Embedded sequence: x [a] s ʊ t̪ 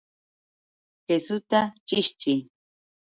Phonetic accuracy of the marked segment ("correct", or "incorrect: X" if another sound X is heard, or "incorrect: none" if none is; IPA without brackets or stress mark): incorrect: e